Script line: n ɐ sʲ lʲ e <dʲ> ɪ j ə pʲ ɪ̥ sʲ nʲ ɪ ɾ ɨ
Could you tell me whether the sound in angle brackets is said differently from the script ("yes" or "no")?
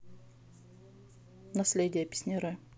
no